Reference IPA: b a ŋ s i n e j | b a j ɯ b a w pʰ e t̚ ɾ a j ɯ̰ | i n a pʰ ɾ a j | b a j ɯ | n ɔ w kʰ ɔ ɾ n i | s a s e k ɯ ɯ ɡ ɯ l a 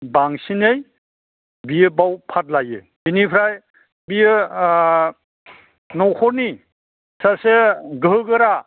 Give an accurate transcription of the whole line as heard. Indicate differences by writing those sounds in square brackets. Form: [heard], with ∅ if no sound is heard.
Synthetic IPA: b a ŋ s i n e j | b [i] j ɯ b a w pʰ [a] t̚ [l] a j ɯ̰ | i n [i] pʰ ɾ a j | b [i] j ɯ | n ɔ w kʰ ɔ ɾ n i | s a s e [ɡ] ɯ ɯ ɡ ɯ [ɾ] a